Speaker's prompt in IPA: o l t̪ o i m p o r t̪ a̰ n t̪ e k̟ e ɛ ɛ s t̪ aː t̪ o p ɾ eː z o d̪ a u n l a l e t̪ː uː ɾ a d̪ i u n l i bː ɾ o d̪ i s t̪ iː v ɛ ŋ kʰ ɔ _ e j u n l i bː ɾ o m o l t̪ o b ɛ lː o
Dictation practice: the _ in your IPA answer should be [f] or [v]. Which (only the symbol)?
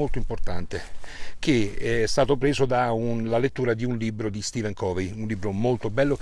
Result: v